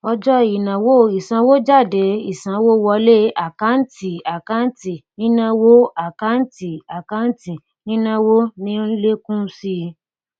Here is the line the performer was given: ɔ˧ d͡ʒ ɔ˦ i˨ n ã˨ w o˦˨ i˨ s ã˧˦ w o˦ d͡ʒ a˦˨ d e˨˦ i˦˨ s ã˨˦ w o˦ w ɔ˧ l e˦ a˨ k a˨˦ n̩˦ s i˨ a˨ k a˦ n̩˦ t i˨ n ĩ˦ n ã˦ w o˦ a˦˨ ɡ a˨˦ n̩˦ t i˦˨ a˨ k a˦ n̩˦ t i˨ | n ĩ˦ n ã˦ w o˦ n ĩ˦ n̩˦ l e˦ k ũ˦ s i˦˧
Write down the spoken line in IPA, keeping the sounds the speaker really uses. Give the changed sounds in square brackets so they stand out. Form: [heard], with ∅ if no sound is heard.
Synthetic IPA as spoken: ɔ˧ d͡ʒ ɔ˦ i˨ n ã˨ w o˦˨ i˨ s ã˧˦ w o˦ d͡ʒ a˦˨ d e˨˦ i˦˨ s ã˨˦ w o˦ w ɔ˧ l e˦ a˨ k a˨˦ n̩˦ [t] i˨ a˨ k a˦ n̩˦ t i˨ n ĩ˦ n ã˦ w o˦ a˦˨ [k] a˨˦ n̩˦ t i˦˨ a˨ k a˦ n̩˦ t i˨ | n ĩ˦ n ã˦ w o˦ n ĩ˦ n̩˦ l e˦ k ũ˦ s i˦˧

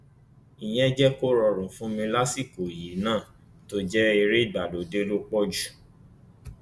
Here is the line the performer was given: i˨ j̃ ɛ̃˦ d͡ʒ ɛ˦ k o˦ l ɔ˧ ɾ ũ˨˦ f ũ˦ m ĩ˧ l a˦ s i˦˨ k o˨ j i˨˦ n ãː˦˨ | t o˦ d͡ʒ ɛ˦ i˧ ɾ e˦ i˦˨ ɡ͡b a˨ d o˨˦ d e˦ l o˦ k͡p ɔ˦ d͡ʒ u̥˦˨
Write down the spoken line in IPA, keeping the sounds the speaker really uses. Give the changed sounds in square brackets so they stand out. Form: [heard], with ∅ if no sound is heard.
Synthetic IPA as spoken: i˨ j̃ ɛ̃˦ d͡ʒ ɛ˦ k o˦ [ɾ] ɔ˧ ɾ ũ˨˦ f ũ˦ m ĩ˧ l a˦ s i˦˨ k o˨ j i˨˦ n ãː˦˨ | t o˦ d͡ʒ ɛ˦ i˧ ɾ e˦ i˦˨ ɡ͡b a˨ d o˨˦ d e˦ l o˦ k͡p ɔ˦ d͡ʒ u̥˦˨

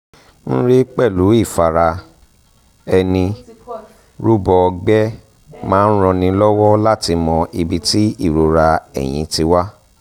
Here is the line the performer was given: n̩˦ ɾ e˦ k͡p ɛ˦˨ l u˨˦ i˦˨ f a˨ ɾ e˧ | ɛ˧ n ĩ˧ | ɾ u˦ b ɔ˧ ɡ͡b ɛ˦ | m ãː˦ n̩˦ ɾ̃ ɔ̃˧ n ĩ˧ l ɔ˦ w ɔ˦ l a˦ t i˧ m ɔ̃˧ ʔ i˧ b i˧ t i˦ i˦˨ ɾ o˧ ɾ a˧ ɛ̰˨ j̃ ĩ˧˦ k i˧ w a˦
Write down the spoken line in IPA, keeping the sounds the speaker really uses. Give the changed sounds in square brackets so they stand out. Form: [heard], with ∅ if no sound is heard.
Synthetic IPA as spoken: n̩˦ ɾ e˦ k͡p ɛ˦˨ l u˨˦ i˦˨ f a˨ ɾ [a˧] | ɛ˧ n ĩ˧ | ɾ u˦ b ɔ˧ ɡ͡b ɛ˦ | m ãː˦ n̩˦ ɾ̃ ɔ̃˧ n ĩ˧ l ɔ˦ w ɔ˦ l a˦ t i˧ m ɔ̃˧ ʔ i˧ b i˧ t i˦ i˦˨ ɾ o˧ ɾ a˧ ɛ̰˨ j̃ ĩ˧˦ [t] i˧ w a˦

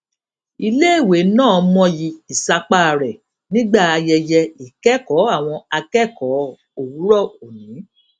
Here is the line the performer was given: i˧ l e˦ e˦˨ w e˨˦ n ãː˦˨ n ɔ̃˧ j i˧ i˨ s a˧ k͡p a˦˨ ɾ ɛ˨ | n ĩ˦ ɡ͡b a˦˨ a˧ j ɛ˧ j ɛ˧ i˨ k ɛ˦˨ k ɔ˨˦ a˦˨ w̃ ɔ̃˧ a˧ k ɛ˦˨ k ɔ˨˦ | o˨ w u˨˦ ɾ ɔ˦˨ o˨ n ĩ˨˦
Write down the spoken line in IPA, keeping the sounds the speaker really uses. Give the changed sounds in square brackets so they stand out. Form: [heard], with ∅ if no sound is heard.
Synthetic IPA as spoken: i˧ l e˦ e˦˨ w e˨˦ n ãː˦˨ [m] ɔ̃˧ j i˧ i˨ s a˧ k͡p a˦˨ ɾ ɛ˨ | n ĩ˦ ɡ͡b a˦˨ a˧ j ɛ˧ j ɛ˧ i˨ k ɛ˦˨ k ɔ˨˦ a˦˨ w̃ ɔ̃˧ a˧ k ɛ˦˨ k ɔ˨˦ | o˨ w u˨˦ ɾ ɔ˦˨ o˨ n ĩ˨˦

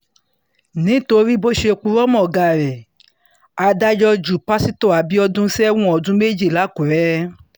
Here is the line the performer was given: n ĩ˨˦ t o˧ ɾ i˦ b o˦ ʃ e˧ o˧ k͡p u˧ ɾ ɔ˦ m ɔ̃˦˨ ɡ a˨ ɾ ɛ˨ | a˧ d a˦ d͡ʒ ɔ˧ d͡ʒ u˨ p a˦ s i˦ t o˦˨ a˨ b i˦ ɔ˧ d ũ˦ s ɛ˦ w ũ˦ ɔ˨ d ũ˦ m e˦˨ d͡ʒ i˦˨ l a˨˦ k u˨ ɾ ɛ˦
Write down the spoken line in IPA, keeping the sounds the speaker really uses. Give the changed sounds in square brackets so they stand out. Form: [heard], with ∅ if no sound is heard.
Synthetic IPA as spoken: n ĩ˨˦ t o˧ ɾ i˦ b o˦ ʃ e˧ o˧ k͡p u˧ ɾ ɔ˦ m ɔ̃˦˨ ɡ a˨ ɾ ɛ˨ | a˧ d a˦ d͡ʒ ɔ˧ d͡ʒ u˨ p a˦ s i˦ t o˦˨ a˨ b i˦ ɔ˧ d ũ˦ s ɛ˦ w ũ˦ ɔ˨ d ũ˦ m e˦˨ d͡ʒ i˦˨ l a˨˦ k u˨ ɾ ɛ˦

